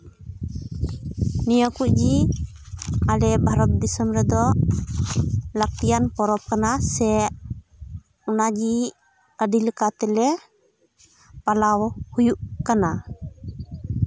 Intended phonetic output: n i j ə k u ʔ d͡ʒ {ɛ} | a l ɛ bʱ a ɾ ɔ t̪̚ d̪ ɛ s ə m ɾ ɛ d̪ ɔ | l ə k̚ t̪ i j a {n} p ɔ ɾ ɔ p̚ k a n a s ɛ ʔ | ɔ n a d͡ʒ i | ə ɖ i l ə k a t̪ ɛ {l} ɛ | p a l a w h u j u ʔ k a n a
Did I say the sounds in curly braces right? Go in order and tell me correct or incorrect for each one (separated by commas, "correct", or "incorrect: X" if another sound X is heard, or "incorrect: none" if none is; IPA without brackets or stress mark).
incorrect: i, correct, correct